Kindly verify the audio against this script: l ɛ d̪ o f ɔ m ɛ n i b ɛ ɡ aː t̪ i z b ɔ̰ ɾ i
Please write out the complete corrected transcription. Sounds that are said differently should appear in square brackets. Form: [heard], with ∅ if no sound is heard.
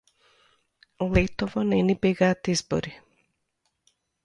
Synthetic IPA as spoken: l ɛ [t̪] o [v] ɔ [n] ɛ n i b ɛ ɡ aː t̪ i z b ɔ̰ ɾ i